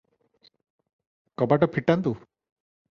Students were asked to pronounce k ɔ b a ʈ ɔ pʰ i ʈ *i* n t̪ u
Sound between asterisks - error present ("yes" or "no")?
yes